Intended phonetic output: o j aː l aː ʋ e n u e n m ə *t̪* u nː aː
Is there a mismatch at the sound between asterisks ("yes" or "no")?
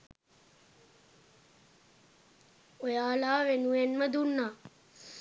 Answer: yes